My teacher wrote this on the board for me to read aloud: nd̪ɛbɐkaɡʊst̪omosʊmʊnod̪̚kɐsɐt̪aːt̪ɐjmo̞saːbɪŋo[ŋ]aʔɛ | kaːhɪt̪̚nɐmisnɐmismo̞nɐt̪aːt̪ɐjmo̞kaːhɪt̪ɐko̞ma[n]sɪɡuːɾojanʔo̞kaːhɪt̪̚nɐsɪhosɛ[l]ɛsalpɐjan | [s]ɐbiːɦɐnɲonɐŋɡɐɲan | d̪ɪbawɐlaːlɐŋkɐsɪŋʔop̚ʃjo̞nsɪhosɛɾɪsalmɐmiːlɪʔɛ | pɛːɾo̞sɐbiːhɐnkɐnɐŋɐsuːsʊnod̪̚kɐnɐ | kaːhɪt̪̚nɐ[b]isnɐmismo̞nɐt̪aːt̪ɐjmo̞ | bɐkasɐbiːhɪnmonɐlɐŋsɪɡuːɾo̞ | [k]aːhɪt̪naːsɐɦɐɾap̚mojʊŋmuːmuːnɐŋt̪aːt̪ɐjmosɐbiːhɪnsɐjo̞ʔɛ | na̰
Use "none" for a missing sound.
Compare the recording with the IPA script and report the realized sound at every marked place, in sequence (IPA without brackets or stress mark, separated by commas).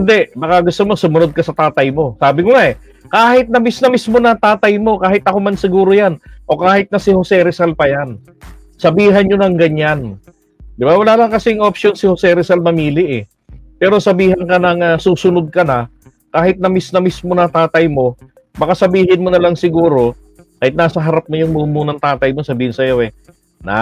ŋ, n, ɾ, s, m, k